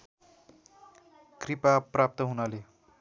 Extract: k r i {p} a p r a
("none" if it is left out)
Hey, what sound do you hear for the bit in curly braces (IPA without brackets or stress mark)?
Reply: p